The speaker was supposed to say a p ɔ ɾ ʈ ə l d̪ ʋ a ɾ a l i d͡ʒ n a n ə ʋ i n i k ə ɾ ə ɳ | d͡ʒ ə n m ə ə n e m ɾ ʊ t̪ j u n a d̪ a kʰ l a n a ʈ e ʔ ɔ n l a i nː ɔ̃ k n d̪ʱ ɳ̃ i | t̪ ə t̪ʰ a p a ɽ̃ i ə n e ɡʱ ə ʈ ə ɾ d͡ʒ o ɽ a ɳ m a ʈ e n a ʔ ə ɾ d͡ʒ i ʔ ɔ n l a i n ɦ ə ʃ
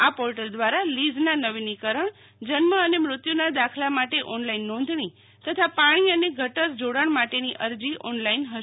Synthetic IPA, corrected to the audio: a p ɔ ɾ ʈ ə l d̪ ʋ a ɾ a l i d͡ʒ n a n ə ʋ i n i k ə ɾ ə ɳ | d͡ʒ ə n m ə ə n e m ɾ ʊ t̪ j u n a d̪ a kʰ l a m a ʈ e ʔ ɔ n l a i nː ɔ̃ n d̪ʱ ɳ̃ i | t̪ ə t̪ʰ a p a ɽ̃ i ə n e ɡʱ ə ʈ ə ɾ d͡ʒ o ɽ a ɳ m a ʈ e n i ʔ ə ɾ d͡ʒ i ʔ ɔ n l a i n ɦ ə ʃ